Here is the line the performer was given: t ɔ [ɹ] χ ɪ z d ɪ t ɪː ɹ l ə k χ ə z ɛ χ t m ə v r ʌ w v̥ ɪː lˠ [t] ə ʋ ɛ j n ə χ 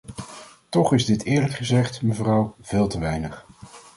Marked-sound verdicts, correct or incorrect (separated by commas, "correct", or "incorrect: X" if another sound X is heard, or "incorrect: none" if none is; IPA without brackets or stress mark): incorrect: none, correct